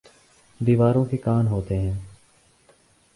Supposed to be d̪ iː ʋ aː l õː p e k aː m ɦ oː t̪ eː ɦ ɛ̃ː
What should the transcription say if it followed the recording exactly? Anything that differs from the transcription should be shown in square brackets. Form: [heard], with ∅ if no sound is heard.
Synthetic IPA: d̪ iː ʋ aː [ɾ] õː [k] e k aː [n] ɦ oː t̪ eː ɦ ɛ̃ː